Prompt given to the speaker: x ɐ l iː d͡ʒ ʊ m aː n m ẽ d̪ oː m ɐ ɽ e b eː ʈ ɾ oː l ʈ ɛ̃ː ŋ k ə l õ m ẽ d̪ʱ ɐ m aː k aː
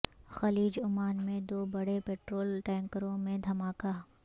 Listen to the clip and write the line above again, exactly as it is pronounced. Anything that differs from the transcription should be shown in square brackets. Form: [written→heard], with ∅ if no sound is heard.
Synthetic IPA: x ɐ l iː d͡ʒ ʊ m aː n m ẽ d̪ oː [m→b] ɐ ɽ e [b→p] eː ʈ ɾ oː l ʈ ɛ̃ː ŋ k ə [l→ɾ] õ m ẽ d̪ʱ ɐ m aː k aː